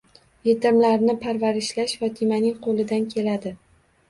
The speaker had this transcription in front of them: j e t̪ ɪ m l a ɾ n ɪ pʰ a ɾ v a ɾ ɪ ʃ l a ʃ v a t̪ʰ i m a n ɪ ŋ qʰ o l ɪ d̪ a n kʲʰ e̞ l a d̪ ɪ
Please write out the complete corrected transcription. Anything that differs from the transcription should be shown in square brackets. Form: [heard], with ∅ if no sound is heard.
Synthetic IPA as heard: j e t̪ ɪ m l a ɾ n ɪ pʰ a ɾ v a ɾ ɪ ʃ l a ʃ v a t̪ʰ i m a n ɪ ŋ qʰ o l ɪ d̪ a n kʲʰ e̞ l a d̪ ɪ